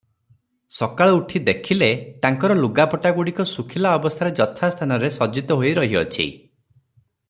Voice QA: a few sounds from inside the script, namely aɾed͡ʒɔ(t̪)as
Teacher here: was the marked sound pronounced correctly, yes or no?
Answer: no